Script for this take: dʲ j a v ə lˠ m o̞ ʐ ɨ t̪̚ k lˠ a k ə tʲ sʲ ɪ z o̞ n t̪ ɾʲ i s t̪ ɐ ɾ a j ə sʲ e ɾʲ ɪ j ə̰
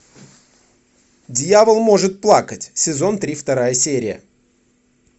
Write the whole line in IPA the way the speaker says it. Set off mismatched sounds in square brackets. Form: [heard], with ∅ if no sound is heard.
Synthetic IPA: dʲ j a v ə lˠ m o̞ ʐ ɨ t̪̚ [p] lˠ a k ə tʲ sʲ ɪ z o̞ n t̪ ɾʲ i [f] t̪ ɐ ɾ a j ə sʲ e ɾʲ ɪ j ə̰